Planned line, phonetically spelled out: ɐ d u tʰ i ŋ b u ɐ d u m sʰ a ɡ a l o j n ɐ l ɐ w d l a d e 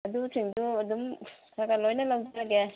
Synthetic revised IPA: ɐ d u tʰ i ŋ d u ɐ d u m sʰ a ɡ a l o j n ɐ l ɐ w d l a ɡ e